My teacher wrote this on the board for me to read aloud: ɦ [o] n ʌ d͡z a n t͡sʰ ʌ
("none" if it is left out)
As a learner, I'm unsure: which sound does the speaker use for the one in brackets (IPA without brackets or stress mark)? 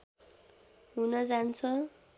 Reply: u